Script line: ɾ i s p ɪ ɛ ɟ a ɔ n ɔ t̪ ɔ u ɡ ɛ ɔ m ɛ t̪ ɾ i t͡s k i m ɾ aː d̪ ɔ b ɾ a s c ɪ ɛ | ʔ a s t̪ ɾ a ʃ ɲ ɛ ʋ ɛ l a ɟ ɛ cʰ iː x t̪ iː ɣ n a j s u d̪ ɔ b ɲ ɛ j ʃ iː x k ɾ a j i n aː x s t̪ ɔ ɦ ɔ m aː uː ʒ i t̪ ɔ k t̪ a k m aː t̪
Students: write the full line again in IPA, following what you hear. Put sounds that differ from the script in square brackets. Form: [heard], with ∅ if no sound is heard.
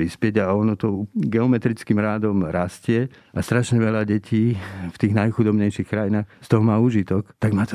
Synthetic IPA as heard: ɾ i s p ɪ ɛ ɟ a ɔ n ɔ t̪ ɔ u ɡ ɛ ɔ m ɛ t̪ ɾ i t͡s k i m ɾ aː d̪ ɔ [m] ɾ a s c ɪ ɛ | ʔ a s t̪ ɾ a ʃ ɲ ɛ ʋ ɛ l a ɟ ɛ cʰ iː [f] t̪ iː ɣ n a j [x] u d̪ ɔ b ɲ ɛ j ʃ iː x k ɾ a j i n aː x s t̪ ɔ ɦ ɔ m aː uː ʒ i t̪ ɔ k t̪ a [ɡ] m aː t̪